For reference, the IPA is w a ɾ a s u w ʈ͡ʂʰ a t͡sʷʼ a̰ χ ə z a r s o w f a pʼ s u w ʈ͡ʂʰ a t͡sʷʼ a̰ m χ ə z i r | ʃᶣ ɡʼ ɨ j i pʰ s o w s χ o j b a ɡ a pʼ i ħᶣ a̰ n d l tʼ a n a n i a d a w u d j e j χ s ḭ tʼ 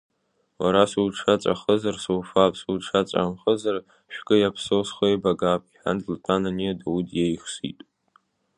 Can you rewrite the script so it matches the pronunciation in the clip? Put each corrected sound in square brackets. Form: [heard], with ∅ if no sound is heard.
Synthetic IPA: w a ɾ a s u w ʈ͡ʂʰ a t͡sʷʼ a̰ χ ə z a r s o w f a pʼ s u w ʈ͡ʂʰ a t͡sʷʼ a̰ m χ ə z [a] r | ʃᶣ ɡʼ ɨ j [a] pʰ s o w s χ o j b a ɡ a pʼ i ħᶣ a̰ n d l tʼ a n a n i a d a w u d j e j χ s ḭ tʼ